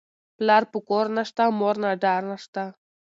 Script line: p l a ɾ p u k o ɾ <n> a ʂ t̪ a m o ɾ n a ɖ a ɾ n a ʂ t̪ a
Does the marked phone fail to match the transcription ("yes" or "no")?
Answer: no